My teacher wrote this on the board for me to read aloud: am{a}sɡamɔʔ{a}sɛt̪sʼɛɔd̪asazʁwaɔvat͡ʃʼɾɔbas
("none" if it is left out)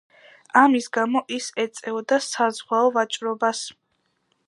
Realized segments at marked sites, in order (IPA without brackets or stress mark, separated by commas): i, i